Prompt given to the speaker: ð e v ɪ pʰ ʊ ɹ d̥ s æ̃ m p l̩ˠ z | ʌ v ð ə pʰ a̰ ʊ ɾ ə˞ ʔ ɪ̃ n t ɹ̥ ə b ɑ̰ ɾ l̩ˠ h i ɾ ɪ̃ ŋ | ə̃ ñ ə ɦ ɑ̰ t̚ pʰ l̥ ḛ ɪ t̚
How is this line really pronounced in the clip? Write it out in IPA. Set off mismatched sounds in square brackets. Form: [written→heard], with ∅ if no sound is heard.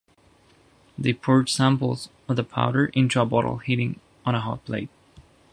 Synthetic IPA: ð e [v→∅] ɪ pʰ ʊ ɹ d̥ s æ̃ m p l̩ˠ z | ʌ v ð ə pʰ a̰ ʊ ɾ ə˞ ʔ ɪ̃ n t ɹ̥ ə b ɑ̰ ɾ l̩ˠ h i ɾ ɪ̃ ŋ | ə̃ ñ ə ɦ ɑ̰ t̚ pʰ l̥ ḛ ɪ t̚

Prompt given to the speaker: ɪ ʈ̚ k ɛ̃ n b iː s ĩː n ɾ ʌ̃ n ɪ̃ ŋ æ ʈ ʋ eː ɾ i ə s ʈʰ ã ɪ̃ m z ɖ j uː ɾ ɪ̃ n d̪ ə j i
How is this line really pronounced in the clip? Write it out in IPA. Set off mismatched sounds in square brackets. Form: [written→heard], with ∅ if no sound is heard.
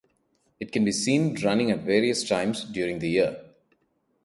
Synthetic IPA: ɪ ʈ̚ k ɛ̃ n b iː s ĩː n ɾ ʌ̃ n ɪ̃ ŋ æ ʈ ʋ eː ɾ i ə s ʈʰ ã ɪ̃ m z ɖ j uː ɾ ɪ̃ [n→ŋ] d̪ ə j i

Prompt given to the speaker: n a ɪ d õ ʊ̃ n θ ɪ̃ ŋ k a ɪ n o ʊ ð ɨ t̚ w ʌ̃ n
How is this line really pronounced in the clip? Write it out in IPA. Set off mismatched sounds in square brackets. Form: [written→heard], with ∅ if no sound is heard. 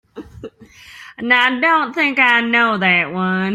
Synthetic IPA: n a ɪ d õ ʊ̃ n θ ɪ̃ ŋ k a ɪ n o ʊ ð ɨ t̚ w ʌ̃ n

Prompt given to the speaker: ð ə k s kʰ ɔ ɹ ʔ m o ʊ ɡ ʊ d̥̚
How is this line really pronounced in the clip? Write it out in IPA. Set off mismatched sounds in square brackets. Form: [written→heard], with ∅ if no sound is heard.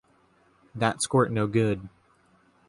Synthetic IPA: ð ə [k→t] s [kʰ→k] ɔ ɹ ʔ [m→n] o ʊ ɡ ʊ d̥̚

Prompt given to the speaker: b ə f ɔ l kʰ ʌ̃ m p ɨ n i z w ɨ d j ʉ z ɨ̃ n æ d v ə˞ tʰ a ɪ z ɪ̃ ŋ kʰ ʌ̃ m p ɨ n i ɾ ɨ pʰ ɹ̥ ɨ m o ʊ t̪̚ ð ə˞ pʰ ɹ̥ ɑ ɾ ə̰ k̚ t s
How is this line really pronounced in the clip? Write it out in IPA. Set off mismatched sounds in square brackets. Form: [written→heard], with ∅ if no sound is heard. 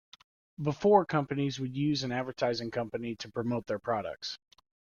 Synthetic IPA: b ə f ɔ [l→ɹ] kʰ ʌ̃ m p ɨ n i z w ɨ d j ʉ z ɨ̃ n æ d v ə˞ tʰ a ɪ z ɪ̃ ŋ kʰ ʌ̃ m p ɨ n i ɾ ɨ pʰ ɹ̥ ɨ m o ʊ t̪̚ ð ə˞ pʰ ɹ̥ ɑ ɾ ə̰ k̚ t s

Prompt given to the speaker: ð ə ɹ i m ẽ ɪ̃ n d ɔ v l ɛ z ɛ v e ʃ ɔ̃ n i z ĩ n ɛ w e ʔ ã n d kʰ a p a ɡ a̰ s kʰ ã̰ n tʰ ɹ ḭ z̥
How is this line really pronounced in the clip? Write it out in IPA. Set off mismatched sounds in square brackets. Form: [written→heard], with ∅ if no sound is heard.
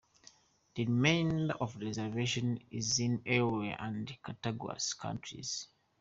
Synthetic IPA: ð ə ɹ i m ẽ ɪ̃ n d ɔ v [l→ɹ] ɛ z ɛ v e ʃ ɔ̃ n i z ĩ n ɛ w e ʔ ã n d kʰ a [p→t] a ɡ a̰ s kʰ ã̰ n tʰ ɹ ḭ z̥

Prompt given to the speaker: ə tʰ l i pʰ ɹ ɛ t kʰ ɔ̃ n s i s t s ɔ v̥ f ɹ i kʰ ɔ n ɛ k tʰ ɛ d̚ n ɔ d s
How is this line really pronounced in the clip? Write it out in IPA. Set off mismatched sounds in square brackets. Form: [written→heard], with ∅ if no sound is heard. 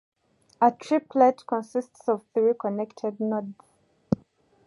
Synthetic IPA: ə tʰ [l→ɹ] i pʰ [ɹ→l] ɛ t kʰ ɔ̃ n s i s t s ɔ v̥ [f→θ] ɹ i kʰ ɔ n ɛ k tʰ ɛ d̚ n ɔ d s

